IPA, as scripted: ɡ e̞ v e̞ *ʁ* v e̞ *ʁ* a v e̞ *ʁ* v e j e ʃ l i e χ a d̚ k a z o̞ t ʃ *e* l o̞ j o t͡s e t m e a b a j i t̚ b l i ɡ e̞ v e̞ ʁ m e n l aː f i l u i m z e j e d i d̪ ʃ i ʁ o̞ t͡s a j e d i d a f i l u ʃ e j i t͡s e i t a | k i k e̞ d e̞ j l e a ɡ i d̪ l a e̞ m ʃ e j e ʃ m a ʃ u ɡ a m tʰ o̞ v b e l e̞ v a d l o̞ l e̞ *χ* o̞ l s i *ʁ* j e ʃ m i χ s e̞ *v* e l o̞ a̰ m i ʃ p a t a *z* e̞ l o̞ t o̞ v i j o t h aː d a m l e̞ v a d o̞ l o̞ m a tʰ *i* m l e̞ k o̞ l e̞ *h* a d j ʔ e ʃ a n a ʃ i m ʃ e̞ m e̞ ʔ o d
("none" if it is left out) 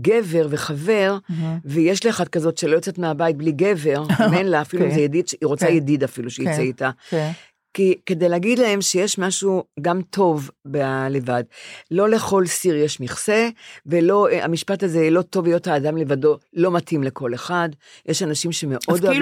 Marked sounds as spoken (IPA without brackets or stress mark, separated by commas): ʁ, χ, ʁ, e, χ, ʁ, v, z, i, χ